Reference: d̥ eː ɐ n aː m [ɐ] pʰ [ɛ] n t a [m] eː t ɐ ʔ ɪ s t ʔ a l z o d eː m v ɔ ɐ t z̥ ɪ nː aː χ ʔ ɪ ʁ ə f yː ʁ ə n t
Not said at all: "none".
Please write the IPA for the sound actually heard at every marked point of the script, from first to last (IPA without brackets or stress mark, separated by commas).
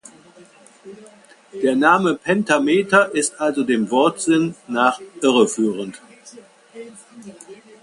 ə, ɛ, m